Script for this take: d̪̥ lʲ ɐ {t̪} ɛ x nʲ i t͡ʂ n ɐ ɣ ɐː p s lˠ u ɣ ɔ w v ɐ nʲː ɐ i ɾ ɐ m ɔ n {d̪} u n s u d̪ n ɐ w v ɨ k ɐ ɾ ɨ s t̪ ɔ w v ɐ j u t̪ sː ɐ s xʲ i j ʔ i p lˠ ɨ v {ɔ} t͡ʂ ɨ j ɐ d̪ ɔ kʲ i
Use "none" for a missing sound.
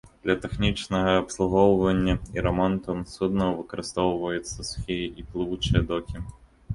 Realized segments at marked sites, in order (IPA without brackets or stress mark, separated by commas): t̪, t̪, u